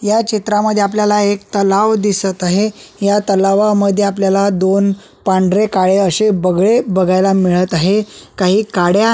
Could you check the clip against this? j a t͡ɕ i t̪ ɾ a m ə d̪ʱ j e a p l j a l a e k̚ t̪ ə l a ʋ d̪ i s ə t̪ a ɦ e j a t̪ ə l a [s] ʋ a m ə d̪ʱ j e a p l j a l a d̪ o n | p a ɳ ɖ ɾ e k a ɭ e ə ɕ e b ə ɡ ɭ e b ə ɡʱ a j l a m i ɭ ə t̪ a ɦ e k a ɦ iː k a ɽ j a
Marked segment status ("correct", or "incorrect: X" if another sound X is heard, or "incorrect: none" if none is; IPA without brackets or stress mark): incorrect: none